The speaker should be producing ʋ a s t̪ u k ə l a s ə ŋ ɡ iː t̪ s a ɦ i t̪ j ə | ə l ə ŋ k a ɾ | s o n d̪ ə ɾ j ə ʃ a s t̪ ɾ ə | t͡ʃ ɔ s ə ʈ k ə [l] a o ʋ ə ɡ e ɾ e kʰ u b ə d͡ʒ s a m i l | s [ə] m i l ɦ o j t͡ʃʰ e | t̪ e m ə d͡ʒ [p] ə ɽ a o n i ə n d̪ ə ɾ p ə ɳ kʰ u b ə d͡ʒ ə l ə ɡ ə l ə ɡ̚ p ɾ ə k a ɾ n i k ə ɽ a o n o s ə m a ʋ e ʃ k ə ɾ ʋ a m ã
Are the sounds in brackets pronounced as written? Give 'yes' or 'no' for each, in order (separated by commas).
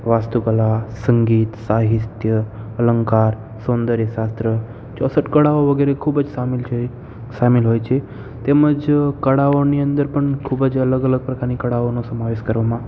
no, no, no